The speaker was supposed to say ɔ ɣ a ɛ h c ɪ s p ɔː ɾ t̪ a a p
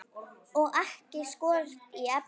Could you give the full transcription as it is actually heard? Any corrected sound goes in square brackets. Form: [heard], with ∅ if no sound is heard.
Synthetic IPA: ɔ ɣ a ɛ h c ɪ s [k] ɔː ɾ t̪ [i] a p